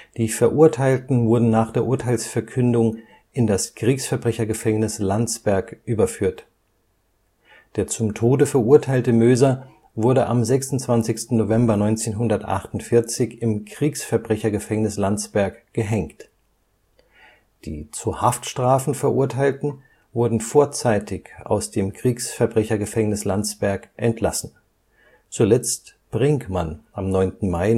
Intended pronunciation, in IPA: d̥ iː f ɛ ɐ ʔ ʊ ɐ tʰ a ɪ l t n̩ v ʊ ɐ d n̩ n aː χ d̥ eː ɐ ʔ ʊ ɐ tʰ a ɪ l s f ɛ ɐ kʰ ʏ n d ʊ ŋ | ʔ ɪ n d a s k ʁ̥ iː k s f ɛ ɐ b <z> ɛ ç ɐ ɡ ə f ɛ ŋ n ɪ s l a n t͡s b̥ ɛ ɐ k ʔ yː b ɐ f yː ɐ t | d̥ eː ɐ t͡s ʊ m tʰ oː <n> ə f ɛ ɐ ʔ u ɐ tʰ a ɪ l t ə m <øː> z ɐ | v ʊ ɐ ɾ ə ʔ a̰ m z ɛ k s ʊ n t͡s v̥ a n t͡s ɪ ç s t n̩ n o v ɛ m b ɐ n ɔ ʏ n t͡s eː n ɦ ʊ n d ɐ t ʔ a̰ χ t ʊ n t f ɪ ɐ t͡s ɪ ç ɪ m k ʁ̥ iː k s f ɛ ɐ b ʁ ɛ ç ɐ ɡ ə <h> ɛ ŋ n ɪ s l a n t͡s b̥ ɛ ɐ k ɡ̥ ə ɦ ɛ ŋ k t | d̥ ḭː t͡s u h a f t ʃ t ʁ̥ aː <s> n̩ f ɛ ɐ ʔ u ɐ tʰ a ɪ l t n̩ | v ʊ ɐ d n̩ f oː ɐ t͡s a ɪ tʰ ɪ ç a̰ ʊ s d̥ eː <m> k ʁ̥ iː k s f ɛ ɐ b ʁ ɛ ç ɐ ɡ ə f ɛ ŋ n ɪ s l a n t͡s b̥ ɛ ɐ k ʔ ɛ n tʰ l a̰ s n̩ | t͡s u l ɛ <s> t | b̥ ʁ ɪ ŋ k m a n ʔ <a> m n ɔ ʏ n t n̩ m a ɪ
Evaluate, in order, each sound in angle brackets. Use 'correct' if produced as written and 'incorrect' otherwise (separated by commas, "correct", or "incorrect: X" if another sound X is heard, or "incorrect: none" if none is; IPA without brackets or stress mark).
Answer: incorrect: ʁ, incorrect: d, correct, incorrect: f, incorrect: f, correct, incorrect: t͡s, correct